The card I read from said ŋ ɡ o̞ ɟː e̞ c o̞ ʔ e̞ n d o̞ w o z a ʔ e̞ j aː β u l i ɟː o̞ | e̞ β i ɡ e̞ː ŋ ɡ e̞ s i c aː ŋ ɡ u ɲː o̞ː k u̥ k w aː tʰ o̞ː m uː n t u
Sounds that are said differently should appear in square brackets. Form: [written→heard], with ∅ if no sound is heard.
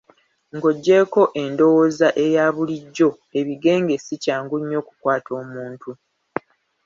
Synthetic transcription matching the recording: ŋ ɡ o̞ ɟː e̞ [c→k] o̞ ʔ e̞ n d o̞ w o z a ʔ e̞ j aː β u l i ɟː o̞ | e̞ β i ɡ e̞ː ŋ ɡ e̞ s i c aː ŋ ɡ u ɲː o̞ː k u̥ k w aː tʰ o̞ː m uː n t u